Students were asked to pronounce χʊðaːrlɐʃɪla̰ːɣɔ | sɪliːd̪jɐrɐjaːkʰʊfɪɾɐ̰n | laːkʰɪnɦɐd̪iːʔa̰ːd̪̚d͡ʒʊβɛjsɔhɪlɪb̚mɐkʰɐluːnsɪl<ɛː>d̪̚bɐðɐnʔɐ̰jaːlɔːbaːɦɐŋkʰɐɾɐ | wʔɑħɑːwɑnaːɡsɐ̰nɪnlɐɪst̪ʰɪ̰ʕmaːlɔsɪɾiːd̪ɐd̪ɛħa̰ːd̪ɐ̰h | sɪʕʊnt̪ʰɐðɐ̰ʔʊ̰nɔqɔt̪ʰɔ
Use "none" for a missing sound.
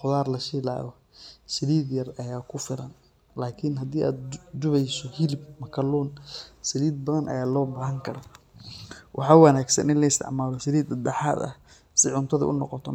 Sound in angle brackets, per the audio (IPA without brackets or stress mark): iː